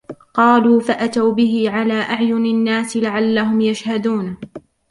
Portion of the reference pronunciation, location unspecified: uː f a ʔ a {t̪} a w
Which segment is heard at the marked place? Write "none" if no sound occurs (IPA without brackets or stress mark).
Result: t̪